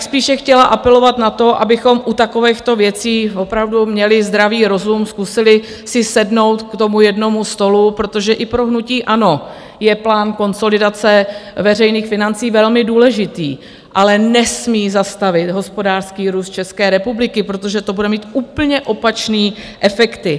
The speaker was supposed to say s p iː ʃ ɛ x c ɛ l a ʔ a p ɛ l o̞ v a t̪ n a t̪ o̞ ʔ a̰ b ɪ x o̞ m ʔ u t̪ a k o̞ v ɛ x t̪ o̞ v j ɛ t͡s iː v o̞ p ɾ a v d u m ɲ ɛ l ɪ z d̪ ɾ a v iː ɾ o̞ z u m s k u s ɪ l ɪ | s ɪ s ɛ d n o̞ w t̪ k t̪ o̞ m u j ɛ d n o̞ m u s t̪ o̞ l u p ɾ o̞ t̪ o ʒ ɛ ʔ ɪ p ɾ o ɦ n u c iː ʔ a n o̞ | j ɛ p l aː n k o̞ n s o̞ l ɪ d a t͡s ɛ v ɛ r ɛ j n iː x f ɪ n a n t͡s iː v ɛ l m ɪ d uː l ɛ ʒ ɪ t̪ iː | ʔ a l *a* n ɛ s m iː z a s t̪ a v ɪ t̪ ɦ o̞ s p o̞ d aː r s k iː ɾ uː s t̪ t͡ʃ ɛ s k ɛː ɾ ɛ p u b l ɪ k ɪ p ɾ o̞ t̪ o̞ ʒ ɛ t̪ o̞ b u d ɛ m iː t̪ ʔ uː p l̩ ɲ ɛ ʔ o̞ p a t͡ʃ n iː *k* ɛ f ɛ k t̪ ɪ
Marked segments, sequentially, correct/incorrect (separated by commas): incorrect, incorrect